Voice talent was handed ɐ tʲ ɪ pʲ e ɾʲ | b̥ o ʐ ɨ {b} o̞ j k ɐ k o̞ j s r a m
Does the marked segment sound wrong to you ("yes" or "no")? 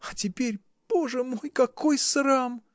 yes